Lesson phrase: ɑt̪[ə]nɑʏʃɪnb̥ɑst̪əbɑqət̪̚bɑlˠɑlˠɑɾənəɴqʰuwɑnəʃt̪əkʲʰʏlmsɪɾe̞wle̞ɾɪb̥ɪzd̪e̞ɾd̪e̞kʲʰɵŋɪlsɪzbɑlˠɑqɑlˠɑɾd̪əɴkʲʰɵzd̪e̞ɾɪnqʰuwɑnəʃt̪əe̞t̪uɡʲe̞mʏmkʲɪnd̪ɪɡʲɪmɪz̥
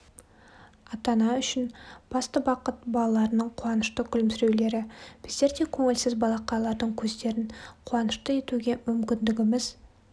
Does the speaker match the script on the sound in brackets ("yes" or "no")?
no